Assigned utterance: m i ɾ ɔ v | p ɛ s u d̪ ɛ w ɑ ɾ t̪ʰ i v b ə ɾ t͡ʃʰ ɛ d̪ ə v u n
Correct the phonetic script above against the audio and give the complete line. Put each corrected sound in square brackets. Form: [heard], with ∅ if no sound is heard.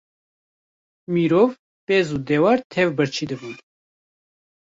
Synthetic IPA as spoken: m i ɾ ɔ v | p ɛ [z] u d̪ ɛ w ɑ ɾ t̪ʰ [ɛ] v b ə ɾ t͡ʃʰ [i] d̪ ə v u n